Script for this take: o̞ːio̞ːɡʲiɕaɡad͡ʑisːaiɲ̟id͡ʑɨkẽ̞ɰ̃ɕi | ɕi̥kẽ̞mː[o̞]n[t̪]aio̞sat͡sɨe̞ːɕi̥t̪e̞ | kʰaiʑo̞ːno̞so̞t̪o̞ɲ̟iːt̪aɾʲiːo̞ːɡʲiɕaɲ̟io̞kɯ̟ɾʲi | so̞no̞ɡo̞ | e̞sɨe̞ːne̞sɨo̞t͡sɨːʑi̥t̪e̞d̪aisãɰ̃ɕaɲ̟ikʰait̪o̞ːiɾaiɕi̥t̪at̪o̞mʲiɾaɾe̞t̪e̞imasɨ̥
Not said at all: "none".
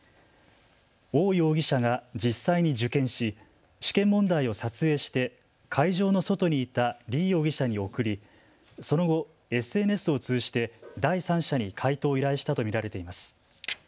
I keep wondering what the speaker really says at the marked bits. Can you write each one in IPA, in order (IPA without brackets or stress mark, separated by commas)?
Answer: õ̞, d̪